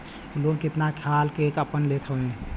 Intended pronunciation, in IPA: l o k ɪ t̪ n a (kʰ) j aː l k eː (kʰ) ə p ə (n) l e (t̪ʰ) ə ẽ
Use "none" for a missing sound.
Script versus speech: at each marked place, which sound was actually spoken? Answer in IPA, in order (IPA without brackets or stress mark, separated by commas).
kʰ, k, n, t̪ʰ